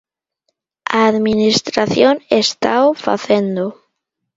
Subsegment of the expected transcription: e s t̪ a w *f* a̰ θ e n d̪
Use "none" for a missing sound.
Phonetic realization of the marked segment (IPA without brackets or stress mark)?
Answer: f